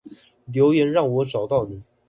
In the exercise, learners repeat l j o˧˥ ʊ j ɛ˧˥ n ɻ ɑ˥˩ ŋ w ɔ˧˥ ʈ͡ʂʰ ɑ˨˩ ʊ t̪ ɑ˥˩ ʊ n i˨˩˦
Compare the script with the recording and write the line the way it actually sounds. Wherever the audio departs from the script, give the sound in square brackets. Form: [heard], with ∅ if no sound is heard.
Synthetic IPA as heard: l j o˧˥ ʊ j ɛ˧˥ n ɻ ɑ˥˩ ŋ w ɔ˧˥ [ʈ͡ʂ] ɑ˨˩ ʊ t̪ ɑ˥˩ ʊ n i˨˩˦